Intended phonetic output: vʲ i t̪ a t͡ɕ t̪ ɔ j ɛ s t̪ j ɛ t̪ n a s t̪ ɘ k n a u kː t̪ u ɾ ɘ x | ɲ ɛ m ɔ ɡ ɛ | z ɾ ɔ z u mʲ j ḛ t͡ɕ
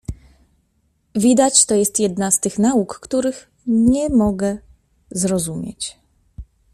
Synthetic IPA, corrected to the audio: vʲ i d̪ a t͡ɕ t̪ ɔ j ɛ s t̪ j ɛ d̪ n a s t̪ ɘ x n a u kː t̪ u ɾ ɘ x | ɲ ɛ m ɔ ɡ ɛ | z ɾ ɔ z u mʲ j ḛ t͡ɕ

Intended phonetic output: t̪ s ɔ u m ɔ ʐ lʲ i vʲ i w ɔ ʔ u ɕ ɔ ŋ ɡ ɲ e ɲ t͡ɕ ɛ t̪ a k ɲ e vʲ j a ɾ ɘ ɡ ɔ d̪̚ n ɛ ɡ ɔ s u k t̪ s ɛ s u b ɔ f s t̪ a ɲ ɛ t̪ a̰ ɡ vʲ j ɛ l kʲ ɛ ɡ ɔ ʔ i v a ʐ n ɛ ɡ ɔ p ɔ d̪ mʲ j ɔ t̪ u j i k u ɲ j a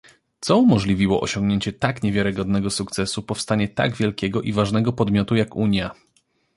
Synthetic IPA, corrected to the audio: t̪ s ɔ u m ɔ ʐ lʲ i vʲ i w ɔ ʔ ɔ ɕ ɔ ŋ ɡ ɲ e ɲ t͡ɕ ɛ t̪ a k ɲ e vʲ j a ɾ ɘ ɡ ɔ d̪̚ n ɛ ɡ ɔ s u k t̪ s ɛ s u p ɔ f s t̪ a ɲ ɛ t̪ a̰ ɡ vʲ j ɛ l kʲ ɛ ɡ ɔ ʔ i v a ʐ n ɛ ɡ ɔ p ɔ d̪ mʲ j ɔ t̪ u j a k u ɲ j a

